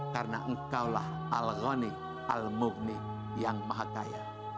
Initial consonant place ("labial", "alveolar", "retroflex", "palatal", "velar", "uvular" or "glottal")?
velar